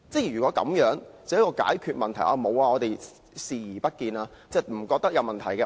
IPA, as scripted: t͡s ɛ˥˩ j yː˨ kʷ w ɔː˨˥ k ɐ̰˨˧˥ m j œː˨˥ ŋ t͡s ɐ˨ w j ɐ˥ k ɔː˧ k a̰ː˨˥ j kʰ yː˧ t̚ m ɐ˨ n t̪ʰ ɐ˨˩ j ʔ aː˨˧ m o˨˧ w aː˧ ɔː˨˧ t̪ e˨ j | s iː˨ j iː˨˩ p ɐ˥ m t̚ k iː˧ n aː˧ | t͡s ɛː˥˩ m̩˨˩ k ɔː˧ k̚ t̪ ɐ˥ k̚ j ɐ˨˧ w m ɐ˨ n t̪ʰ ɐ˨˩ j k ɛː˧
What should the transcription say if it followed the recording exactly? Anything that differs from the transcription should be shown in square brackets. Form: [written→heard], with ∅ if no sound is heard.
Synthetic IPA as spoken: t͡s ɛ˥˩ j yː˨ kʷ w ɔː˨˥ k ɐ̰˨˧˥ m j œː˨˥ ŋ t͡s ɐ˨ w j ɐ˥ k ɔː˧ k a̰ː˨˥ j kʰ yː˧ t̚ m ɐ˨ n t̪ʰ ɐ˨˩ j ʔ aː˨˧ m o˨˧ w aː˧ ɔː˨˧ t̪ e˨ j | s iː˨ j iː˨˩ p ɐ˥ [m→∅] t̚ k iː˧ n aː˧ | t͡s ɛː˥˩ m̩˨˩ k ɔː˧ k̚ t̪ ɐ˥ k̚ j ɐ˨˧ w m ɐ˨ n t̪ʰ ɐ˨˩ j k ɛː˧